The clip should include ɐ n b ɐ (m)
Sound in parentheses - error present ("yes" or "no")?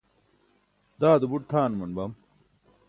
no